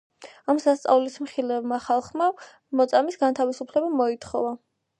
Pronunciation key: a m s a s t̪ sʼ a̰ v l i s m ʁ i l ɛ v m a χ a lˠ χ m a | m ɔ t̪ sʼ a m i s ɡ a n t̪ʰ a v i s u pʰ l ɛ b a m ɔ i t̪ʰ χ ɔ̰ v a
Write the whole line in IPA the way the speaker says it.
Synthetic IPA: a m s a s t̪ sʼ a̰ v l i s m χ i l ɛ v m a χ a lˠ χ m a | m ɔ t̪ sʼ a m i s ɡ a n t̪ʰ a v i s u pʰ l ɛ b a m ɔ i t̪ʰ χ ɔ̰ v a